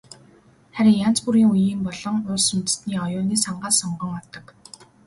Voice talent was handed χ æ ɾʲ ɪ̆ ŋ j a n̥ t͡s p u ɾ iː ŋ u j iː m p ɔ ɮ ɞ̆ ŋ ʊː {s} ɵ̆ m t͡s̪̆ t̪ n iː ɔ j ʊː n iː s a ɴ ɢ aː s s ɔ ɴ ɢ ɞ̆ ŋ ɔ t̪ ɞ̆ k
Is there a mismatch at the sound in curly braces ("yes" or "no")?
no